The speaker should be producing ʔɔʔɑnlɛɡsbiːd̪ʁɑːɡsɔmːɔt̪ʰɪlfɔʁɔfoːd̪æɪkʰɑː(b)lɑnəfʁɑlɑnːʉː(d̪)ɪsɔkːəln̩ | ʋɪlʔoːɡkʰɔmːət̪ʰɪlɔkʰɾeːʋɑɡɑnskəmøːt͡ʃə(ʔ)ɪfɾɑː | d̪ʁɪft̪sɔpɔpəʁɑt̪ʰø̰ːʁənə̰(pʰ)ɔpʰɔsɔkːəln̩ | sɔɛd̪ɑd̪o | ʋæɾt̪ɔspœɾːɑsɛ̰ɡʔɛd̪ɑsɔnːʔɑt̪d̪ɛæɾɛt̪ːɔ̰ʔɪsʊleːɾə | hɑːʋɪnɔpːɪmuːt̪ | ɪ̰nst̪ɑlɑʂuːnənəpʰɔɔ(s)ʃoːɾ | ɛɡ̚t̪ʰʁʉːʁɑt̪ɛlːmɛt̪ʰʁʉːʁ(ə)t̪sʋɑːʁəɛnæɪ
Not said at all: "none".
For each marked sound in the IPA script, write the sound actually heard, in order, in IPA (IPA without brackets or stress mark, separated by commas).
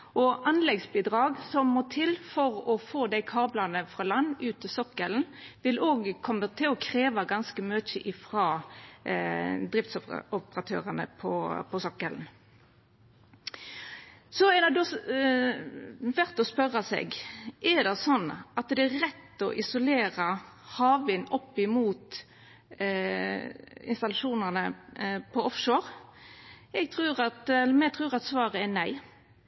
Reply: b, t̪, ʔ, pʰ, f, ɑ